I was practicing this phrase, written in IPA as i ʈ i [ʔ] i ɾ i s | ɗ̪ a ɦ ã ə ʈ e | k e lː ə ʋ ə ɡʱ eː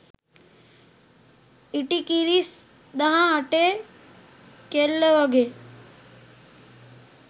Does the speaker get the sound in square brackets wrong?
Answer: yes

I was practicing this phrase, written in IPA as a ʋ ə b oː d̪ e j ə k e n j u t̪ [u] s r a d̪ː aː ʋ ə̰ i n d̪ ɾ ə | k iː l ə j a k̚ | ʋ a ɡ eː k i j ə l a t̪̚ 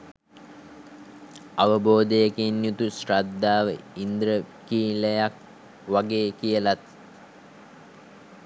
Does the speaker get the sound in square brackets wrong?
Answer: no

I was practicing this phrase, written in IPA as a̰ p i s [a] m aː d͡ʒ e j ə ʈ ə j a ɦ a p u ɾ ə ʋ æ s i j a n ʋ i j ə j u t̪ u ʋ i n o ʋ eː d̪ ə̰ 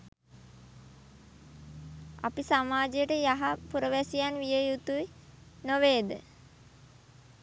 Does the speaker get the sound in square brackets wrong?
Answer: no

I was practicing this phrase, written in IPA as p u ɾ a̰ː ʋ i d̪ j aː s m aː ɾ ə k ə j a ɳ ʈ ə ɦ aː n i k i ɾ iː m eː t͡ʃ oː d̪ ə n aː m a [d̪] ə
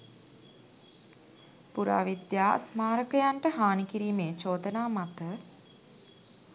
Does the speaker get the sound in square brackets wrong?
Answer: yes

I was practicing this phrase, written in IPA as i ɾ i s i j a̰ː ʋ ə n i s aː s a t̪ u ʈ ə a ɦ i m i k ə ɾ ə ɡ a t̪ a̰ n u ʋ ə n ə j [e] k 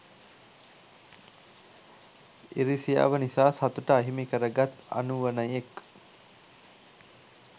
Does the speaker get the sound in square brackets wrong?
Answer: no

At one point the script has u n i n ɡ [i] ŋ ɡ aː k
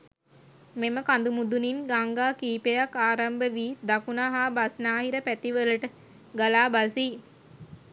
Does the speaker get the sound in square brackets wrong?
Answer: yes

